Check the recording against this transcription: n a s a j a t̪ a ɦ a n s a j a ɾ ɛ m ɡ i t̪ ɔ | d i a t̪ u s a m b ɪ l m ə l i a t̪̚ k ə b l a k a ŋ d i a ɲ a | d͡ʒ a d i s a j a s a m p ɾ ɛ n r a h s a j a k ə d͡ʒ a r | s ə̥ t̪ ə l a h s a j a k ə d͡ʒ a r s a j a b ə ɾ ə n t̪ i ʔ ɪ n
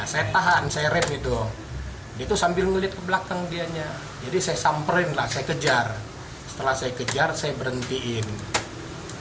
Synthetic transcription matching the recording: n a s a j a t̪ a ɦ a n s a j a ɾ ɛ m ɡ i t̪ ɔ | d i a t̪ u s a m b ɪ l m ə l i a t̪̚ k ə b l a k a ŋ d i a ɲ a | d͡ʒ a d i s a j a s a m p ɾ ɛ n l a h s a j a k ə d͡ʒ a r | s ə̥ t̪ ə l a h s a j a k ə d͡ʒ a r s a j a b ə ɾ ə n t̪ i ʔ ɪ n